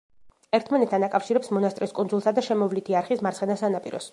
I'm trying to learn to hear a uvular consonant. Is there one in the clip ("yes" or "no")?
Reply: yes